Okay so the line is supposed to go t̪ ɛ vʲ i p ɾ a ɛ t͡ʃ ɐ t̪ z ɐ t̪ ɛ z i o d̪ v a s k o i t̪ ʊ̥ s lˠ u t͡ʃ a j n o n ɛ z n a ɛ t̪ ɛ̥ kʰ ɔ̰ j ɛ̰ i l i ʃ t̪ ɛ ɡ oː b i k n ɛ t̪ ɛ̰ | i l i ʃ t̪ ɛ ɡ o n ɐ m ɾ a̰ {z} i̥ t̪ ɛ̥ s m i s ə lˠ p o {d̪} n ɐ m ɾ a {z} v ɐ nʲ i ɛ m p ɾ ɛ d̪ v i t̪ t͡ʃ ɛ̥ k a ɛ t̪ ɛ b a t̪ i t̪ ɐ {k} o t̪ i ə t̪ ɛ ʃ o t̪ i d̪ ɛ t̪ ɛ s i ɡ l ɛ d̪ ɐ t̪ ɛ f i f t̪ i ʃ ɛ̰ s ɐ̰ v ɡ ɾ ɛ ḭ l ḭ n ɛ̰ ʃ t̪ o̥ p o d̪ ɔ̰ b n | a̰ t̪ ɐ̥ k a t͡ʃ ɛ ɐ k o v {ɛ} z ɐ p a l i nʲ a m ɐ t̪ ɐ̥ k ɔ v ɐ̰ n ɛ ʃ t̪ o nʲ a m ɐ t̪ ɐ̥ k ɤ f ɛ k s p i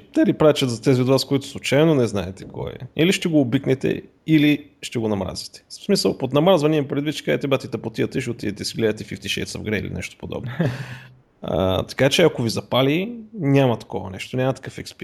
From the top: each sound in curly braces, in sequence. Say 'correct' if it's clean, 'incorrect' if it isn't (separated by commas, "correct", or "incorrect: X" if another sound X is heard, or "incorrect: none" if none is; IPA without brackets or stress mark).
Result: correct, incorrect: t̪, correct, incorrect: p, incorrect: i